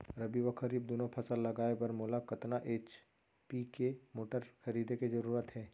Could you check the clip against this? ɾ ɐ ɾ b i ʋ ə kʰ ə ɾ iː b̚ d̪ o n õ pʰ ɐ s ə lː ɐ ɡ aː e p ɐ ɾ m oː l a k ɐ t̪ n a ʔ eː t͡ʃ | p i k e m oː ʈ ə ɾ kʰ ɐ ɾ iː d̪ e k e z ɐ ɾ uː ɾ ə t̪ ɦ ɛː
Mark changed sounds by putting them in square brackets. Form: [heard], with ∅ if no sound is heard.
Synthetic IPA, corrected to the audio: ɾ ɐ [∅] b i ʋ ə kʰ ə ɾ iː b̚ d̪ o n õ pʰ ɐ s ə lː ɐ ɡ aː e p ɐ ɾ m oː l a k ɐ t̪ n a ʔ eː t͡ʃ | p i k e m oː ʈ ə ɾ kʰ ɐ ɾ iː d̪ e k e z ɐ ɾ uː ɾ ə t̪ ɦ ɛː